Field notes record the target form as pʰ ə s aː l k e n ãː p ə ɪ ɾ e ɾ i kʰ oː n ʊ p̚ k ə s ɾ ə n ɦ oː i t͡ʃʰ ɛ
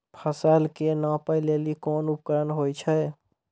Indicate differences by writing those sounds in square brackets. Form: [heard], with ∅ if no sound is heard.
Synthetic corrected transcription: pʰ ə s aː l k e n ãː p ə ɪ [l] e [l] i [k] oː n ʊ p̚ k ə [∅] ɾ ə n ɦ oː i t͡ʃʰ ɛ